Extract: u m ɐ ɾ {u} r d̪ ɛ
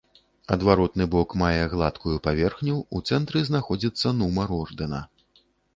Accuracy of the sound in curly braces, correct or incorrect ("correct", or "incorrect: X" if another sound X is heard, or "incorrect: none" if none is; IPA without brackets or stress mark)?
incorrect: ɔ